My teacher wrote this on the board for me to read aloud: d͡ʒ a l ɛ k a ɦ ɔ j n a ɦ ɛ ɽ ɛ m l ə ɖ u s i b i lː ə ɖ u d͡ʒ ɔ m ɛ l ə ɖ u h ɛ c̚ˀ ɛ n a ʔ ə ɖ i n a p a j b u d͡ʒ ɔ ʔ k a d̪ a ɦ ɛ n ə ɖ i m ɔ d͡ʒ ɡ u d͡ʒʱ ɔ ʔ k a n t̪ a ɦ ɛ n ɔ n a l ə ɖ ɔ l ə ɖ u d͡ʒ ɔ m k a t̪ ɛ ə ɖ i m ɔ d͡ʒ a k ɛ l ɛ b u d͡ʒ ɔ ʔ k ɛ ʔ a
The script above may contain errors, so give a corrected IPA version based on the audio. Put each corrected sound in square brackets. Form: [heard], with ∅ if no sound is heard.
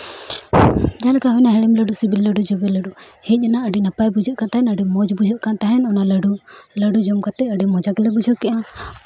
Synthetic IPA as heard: d͡ʒ a l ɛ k a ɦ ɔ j n a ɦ ɛ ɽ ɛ m l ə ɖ u s i b i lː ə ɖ u d͡ʒ ɔ [b] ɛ l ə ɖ u h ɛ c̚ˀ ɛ n a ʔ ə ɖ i n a p a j b u d͡ʒ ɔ ʔ k a [t̪] a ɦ ɛ n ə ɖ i m ɔ d͡ʒ [b] u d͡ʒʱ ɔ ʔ k a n t̪ a ɦ ɛ n ɔ n a l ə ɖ [u] l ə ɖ u d͡ʒ ɔ m k a t̪ ɛ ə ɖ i m ɔ d͡ʒ a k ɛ l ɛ b u d͡ʒ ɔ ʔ k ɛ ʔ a

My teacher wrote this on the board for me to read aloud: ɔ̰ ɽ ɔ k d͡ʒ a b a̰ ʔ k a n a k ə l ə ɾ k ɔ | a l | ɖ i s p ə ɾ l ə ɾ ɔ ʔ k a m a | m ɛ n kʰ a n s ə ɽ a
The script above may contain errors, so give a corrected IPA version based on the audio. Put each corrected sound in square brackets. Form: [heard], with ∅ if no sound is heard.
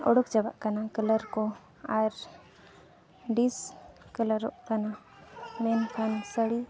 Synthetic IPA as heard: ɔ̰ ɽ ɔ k d͡ʒ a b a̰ ʔ k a n a k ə l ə ɾ k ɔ | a [ɾ] | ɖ i s [k] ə [∅] l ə ɾ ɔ ʔ k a [n] a | m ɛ n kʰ a n s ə ɽ [i]

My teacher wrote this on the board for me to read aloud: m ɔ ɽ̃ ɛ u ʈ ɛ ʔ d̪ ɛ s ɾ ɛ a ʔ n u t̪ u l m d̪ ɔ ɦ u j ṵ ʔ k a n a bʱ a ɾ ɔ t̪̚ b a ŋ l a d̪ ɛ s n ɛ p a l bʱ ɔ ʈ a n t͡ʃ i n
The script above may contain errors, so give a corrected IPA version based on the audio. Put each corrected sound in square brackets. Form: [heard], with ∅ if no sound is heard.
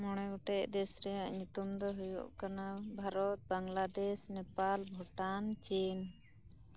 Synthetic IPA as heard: m ɔ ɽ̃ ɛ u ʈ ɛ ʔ d̪ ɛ s ɾ ɛ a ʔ [ɲ] u t̪ u [∅] m d̪ ɔ ɦ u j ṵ ʔ k a n a bʱ a ɾ ɔ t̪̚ b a ŋ l a d̪ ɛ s n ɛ p a l bʱ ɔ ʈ a n t͡ʃ i n

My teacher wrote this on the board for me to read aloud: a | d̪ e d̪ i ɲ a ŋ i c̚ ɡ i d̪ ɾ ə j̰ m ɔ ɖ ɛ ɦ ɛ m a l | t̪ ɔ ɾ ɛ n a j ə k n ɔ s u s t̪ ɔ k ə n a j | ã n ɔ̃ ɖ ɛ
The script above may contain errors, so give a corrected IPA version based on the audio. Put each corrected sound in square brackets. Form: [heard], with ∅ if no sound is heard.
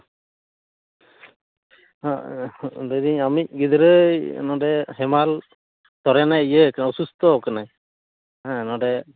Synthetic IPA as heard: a | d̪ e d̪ i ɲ a [m] i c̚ ɡ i d̪ ɾ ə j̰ [n] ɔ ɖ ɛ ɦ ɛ m a l | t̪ ɔ ɾ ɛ n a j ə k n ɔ s u s t̪ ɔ k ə n a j | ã n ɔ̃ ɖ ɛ

